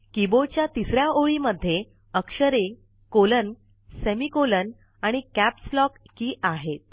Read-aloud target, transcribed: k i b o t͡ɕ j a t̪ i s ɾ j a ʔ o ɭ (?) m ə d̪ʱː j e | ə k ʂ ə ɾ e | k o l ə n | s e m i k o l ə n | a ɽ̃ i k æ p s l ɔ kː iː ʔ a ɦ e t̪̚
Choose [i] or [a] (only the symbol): i